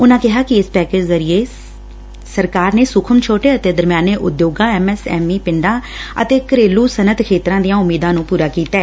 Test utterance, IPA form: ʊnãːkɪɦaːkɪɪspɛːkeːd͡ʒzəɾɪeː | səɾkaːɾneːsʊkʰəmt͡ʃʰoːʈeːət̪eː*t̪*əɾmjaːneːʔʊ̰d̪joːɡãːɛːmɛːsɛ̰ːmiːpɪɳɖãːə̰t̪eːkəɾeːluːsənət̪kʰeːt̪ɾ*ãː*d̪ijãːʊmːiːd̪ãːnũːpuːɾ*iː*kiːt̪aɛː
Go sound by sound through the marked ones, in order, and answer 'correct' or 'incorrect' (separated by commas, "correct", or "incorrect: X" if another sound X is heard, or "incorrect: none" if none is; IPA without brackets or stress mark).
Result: incorrect: d̪, correct, incorrect: aː